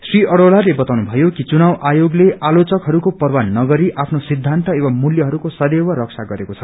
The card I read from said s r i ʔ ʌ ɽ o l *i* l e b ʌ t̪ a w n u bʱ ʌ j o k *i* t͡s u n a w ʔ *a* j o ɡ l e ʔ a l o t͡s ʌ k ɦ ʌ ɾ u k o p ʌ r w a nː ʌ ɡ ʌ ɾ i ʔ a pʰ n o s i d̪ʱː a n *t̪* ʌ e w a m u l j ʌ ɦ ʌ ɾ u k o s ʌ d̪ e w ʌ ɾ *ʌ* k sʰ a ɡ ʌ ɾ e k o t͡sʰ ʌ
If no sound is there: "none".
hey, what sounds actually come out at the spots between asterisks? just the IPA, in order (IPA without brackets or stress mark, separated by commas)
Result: a, i, a, t̪, ʌ